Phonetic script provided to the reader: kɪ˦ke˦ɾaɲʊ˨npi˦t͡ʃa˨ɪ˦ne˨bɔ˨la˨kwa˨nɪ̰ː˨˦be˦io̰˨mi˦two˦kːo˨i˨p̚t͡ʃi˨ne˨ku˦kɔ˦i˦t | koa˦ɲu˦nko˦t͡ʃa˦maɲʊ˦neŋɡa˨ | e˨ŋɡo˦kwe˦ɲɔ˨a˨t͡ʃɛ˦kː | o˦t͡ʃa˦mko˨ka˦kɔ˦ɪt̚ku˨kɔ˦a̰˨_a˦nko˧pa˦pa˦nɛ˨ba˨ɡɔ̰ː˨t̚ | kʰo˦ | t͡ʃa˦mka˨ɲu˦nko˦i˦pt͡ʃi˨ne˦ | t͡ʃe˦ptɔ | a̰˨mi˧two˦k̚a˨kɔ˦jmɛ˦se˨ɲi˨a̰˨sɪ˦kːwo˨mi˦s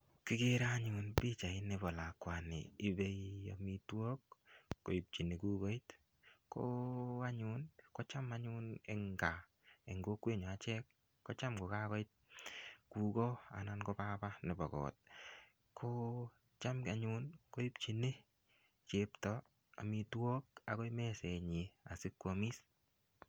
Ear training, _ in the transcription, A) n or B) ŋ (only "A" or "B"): A